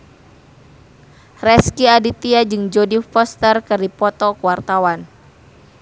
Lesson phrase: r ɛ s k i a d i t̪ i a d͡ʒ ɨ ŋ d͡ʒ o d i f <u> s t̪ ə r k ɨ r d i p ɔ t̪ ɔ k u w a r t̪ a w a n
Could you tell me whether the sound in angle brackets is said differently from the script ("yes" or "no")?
yes